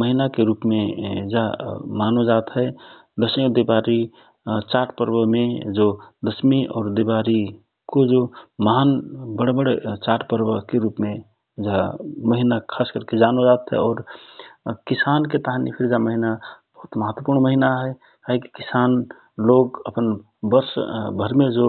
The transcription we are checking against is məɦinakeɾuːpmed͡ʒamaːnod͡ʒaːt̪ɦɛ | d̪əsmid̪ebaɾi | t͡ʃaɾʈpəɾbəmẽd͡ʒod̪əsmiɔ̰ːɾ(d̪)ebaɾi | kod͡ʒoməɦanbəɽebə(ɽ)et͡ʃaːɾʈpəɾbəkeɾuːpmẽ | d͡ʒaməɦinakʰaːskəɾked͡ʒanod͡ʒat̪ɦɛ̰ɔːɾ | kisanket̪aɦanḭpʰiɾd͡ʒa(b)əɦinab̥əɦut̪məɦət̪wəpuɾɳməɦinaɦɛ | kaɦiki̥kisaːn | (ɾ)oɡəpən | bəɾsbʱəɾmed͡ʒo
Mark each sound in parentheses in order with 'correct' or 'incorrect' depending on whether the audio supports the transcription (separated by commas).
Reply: correct, correct, incorrect, incorrect